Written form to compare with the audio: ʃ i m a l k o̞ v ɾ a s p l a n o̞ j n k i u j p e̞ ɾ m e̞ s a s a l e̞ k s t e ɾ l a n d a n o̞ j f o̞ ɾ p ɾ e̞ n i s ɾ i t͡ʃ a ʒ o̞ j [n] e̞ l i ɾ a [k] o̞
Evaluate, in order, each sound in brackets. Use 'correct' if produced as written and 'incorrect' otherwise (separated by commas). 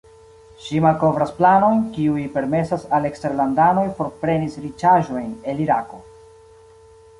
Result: correct, correct